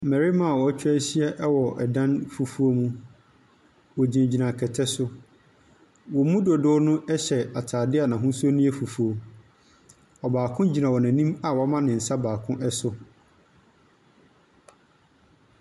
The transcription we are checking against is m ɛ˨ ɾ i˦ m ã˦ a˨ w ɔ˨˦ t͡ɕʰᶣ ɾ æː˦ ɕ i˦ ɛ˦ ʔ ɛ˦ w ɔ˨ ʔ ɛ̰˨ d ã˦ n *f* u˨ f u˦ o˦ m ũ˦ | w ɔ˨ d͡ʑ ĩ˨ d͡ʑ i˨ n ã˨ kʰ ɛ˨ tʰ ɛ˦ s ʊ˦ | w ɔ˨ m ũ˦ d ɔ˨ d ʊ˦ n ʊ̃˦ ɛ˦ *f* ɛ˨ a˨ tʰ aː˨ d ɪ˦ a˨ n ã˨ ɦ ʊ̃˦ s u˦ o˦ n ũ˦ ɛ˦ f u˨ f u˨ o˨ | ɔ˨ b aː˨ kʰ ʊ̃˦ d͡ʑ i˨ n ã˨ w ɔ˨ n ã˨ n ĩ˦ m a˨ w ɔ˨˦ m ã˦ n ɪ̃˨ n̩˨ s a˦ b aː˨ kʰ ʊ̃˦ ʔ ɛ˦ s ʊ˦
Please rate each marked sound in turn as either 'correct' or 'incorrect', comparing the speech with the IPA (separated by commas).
correct, incorrect